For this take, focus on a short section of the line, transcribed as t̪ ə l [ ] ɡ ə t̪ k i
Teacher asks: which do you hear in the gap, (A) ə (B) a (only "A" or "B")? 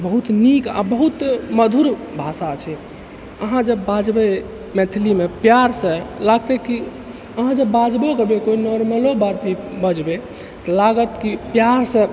B